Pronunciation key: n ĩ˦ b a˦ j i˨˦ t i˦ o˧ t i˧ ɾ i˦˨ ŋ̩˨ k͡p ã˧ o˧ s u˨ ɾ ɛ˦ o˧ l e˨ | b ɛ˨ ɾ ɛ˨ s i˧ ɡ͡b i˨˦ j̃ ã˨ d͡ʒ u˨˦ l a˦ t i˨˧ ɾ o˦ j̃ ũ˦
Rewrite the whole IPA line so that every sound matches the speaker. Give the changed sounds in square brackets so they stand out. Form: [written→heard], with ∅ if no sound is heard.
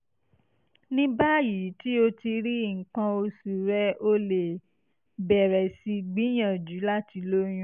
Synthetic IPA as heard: n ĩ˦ b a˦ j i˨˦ t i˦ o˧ t i˧ ɾ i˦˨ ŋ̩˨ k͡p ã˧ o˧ s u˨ ɾ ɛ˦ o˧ l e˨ | b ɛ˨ ɾ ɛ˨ s i˧ ɡ͡b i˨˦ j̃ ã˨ d͡ʒ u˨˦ l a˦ t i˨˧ [ɾ→l] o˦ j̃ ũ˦